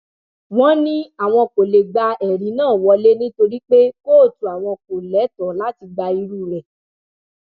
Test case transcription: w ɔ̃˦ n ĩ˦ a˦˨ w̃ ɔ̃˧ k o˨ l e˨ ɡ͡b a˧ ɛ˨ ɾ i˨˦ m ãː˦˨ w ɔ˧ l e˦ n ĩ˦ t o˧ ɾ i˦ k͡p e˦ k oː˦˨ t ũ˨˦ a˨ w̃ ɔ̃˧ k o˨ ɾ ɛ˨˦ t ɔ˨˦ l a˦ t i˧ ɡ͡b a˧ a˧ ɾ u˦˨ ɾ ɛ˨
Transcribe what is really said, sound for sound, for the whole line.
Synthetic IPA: w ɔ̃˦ n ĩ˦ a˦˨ w̃ ɔ̃˧ k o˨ l e˨ ɡ͡b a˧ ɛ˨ ɾ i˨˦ n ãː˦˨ w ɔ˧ l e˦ n ĩ˦ t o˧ ɾ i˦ k͡p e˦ k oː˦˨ t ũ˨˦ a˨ w̃ ɔ̃˧ k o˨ l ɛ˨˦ t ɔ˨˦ l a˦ t i˧ ɡ͡b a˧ i˧ ɾ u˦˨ ɾ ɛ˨